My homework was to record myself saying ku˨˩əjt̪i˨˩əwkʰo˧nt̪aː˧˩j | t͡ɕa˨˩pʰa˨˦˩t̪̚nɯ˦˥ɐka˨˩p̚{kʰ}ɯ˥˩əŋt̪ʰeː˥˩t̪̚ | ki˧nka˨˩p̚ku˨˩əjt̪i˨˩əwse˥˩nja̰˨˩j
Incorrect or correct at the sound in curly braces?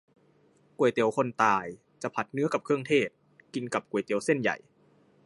correct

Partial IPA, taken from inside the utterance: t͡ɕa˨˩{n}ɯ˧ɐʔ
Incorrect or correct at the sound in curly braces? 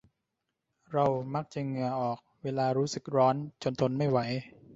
incorrect: ŋ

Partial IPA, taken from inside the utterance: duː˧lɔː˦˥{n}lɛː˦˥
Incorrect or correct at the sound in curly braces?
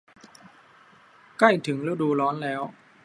correct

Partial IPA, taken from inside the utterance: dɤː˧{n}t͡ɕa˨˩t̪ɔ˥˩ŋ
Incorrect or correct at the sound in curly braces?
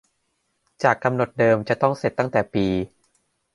incorrect: m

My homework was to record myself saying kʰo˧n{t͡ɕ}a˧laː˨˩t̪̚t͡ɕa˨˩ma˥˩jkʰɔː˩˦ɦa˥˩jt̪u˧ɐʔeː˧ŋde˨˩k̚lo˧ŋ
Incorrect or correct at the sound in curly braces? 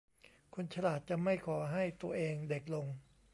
incorrect: t͡ɕʰ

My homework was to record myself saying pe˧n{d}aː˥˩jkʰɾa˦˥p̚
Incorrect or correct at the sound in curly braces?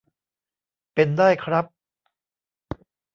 correct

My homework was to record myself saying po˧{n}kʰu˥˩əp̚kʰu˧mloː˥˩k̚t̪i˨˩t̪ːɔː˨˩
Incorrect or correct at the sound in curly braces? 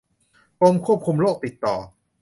incorrect: m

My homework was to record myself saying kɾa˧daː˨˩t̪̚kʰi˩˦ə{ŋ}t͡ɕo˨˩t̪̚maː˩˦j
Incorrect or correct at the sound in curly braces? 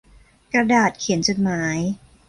incorrect: n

